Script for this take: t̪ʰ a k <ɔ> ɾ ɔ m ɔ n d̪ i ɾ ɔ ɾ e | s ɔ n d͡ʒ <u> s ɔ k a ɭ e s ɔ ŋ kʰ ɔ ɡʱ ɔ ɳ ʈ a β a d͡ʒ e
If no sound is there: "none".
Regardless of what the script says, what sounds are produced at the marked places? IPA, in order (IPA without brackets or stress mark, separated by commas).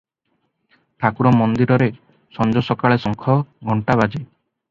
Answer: u, ɔ